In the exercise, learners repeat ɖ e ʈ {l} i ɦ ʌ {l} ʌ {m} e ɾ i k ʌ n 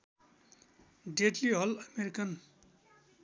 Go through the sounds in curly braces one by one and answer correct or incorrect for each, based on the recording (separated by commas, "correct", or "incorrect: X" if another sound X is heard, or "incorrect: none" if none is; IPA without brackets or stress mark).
correct, correct, correct